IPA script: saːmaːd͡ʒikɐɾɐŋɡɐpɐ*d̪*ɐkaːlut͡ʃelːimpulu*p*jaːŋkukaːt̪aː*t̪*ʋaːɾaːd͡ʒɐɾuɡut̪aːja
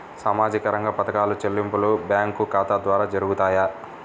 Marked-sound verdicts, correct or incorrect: incorrect: t̪, incorrect: b, incorrect: d̪

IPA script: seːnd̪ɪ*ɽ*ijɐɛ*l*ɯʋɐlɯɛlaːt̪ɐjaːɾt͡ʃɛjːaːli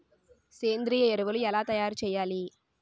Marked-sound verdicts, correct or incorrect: incorrect: ɾ, incorrect: ɾ

